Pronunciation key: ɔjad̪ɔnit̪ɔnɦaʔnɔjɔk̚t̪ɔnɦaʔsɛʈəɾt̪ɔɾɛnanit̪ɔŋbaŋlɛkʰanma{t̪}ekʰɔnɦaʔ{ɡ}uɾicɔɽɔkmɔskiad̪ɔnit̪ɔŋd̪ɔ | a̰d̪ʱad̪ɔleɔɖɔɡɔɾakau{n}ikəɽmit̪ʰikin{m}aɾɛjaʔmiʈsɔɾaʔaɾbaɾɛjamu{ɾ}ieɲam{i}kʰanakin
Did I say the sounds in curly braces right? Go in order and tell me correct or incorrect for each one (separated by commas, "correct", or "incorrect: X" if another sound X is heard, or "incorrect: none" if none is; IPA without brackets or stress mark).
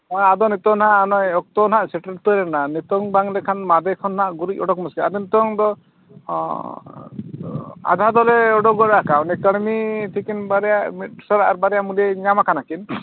incorrect: d̪, correct, correct, incorrect: b, incorrect: l, incorrect: a